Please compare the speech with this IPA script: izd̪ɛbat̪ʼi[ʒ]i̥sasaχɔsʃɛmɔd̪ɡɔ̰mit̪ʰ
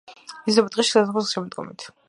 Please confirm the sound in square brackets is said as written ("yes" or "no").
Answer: no